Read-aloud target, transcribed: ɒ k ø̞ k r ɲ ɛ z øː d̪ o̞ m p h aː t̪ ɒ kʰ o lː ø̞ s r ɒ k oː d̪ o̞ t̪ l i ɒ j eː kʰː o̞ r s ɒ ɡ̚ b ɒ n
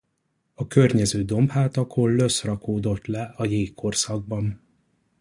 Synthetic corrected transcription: ɒ k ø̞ r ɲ ɛ z øː d̪ o̞ m p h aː t̪ ɒ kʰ o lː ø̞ s r ɒ k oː d̪ o̞ t̪ l ɛ ɒ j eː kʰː o̞ r s ɒ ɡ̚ b ɒ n